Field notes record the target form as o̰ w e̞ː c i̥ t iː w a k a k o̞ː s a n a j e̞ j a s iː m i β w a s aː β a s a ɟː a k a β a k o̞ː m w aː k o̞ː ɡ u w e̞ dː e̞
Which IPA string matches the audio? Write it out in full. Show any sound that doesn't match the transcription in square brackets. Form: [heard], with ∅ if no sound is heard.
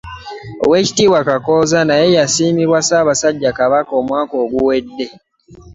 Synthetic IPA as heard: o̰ w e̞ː c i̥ t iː w a k a k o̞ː [z] a n a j e̞ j a s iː m i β w a s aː β a s a ɟː a k a β a k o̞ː m w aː k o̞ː ɡ u w e̞ dː e̞